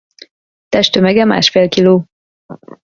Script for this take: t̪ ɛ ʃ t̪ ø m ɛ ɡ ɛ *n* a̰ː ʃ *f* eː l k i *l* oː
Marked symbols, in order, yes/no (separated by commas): no, yes, yes